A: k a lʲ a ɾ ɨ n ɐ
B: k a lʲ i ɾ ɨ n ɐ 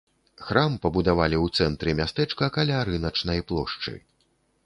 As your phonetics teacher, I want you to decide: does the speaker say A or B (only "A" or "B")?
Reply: A